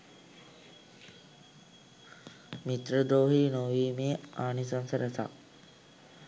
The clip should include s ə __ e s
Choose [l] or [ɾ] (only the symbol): ɾ